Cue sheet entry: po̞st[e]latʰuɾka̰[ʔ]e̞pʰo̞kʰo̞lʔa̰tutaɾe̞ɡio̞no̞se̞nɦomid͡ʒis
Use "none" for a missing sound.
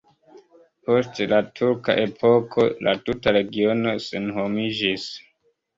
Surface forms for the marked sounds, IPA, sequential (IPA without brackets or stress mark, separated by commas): e, ʔ